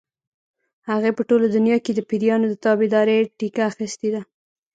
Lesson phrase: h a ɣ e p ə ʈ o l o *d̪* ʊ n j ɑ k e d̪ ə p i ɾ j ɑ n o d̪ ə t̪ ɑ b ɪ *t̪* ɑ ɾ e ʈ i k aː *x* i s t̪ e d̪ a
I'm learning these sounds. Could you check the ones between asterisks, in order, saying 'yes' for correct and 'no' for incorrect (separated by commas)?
yes, no, yes